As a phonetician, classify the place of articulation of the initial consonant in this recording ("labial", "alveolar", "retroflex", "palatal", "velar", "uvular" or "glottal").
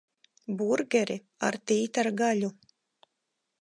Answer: labial